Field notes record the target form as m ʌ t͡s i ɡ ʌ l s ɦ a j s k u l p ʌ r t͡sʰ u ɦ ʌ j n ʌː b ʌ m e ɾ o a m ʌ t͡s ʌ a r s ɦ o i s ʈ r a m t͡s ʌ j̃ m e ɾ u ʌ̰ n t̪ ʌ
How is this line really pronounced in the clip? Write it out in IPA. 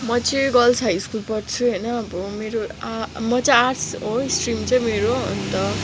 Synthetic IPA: m ʌ t͡s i ɡ ʌ l s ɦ a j s k u l p ʌ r t͡sʰ u ɦ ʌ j n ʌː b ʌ m e ɾ o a m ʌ t͡s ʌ a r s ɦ o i s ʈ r i m t͡s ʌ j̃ m e ɾ o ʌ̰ n t̪ ʌ